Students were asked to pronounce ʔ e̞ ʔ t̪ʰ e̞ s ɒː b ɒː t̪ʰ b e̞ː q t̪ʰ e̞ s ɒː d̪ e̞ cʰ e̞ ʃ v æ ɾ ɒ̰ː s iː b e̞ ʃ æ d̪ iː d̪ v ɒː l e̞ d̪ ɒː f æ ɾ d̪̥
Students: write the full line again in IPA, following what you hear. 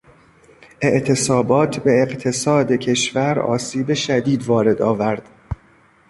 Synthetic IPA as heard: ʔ e̞ ʔ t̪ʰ e̞ s ɒː b ɒː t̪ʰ b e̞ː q t̪ʰ e̞ s ɒː d̪ e̞ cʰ e̞ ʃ v æ ɾ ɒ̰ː s iː b e̞ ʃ æ d̪ iː d̪ v ɒː ɾ e̞ d̪ ɒː v æ ɾ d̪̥